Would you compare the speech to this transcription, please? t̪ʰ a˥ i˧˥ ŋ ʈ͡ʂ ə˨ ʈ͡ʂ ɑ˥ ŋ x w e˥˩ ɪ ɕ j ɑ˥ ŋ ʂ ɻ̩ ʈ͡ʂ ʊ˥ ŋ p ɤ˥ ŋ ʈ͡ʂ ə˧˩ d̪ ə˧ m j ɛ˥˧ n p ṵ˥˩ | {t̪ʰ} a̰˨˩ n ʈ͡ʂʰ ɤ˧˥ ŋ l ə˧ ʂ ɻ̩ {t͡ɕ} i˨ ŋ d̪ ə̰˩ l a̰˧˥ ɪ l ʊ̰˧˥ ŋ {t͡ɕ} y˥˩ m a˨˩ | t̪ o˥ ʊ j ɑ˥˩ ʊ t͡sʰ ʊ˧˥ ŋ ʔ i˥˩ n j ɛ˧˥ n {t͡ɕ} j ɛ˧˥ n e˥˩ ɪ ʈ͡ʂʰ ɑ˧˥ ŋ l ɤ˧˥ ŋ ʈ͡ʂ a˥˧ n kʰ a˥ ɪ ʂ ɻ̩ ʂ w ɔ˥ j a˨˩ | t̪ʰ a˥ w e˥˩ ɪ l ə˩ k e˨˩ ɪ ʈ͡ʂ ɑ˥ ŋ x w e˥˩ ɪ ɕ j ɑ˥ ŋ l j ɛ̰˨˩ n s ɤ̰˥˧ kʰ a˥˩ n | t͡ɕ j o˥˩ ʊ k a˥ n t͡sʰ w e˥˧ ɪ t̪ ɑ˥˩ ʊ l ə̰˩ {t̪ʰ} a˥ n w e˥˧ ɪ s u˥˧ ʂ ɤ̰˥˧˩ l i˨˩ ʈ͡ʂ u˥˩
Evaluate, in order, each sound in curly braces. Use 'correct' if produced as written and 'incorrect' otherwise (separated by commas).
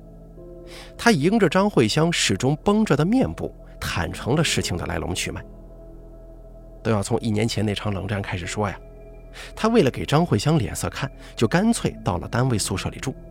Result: correct, incorrect, incorrect, incorrect, incorrect